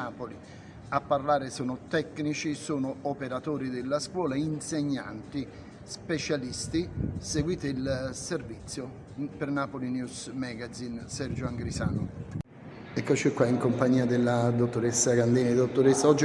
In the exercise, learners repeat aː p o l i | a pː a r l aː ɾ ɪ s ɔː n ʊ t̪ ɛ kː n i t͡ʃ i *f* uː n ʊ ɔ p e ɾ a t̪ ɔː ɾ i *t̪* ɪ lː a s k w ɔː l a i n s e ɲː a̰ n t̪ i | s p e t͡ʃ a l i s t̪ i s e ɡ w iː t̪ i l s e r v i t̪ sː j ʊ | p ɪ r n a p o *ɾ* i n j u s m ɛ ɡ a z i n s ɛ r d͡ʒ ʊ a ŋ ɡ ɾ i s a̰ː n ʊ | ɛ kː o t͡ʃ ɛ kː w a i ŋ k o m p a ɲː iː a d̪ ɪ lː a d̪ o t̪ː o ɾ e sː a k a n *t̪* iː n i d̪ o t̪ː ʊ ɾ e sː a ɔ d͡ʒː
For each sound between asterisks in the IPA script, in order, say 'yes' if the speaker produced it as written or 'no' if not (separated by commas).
no, no, no, no